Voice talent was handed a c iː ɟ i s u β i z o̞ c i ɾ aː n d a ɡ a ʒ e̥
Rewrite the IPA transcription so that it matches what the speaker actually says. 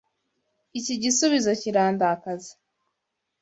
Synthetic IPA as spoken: i c i ɟ i s u β i z o̞ c i ɾ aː n d a k a z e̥

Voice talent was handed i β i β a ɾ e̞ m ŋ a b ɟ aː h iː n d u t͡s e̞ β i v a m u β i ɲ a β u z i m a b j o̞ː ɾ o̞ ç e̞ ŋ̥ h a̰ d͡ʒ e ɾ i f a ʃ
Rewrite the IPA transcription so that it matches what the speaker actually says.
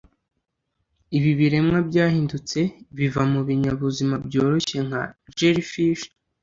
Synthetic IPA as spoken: i β i β i ɾ e̞ m ŋ a b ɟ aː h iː n d u t͡s e̞ β i v a m u β i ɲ a β u z i m a b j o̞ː ɾ o̞ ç e̞ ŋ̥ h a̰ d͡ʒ e ɾ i f i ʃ

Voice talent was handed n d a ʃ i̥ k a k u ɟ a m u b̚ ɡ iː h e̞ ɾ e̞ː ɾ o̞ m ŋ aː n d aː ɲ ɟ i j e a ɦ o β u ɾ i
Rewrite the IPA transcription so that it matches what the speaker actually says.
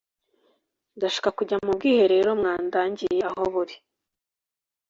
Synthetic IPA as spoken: n d a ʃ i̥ k a k u ɟ a m u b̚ ɡ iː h e̞ ɾ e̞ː ɾ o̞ m ŋ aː n d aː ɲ ɟ i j e a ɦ o β u ɾ i

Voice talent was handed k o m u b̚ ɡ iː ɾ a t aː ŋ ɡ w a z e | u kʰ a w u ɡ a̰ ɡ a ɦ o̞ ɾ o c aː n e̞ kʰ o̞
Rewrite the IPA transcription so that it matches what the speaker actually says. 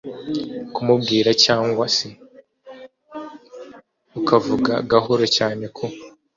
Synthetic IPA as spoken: k u m u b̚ ɡ iː ɾ a c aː ŋ ɡ w a s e | u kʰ a v u ɡ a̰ ɡ a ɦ o̞ ɾ o c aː n e̞ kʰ o̞

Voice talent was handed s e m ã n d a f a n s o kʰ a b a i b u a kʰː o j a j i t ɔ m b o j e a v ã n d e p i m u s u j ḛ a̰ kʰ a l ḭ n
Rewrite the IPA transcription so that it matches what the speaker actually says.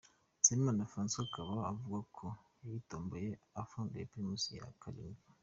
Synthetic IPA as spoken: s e m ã n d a f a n s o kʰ a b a a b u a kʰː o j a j i t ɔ m b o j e a f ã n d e p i m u s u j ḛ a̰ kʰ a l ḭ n

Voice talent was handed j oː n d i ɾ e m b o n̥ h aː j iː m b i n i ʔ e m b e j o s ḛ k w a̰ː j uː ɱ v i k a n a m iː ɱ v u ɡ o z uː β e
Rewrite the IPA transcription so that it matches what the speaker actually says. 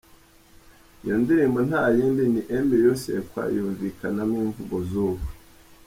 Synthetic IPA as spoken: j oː n d i ɾ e m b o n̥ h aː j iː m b i n i ʔ e m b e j o s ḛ k w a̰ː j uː ɱ v i k a n a m iː ɱ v u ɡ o z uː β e

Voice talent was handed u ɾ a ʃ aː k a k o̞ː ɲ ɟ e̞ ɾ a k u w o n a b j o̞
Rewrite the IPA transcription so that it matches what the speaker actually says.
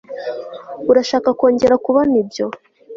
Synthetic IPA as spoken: u ɾ a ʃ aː k a k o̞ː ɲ ɟ e̞ ɾ a k u β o n i b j o̞

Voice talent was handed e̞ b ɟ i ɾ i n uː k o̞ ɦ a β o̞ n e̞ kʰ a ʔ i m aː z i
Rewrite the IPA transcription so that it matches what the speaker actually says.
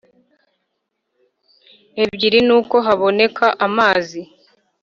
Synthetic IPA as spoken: e̞ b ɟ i ɾ i n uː k o̞ ɦ a β o̞ n e̞ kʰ a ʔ a m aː z i

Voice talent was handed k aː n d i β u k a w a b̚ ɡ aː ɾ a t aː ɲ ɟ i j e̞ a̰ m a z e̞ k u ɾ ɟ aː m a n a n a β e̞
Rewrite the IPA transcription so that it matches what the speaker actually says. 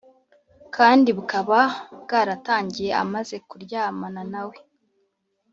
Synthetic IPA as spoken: k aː n d i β u k a β a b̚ ɡ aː ɾ a t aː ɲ ɟ i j e̞ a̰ m a z e̞ k u ɾ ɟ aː m a n a n a w e̞

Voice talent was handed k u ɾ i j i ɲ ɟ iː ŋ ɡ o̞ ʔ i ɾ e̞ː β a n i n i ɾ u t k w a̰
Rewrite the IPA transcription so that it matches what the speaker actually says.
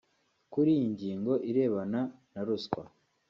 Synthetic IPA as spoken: k u ɾ i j i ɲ ɟ iː ŋ ɡ o̞ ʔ i ɾ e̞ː β a n a n a ɾ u s k w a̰

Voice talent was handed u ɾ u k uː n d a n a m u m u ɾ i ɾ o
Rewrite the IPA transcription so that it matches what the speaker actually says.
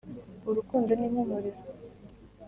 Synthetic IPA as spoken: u ɾ u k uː n d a n i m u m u ɾ i ɾ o

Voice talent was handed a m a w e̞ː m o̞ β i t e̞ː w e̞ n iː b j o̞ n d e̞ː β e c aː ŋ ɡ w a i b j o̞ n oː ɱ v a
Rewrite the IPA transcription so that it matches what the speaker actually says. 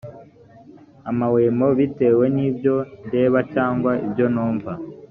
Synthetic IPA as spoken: a m a w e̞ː m o̞ β i t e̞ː w e̞ n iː b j o̞ n d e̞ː β a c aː ŋ ɡ w a i b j o̞ n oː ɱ v a

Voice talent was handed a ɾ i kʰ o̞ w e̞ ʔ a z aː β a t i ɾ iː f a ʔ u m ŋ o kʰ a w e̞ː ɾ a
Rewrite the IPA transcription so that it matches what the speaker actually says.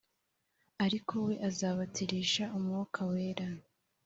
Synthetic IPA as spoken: a ɾ i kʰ o̞ w e̞ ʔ a z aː β a t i ɾ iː ʃ a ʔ u m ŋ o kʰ a w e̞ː ɾ a

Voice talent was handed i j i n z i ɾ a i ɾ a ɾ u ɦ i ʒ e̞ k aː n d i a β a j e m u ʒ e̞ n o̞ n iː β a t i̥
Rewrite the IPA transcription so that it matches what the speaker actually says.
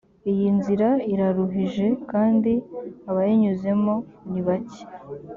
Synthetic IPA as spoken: i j i n z i ɾ a i ɾ a ɾ u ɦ i ʒ e̞ k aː n d i a β a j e ɲ u z e̞ m o̞ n i β a c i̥

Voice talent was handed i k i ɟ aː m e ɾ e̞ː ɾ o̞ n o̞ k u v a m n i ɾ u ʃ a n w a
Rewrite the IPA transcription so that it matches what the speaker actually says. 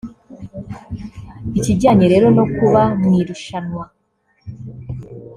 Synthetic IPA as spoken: i c i ɟ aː ɲ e ɾ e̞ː ɾ o̞ n o̞ k u β a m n i ɾ u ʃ a n w a

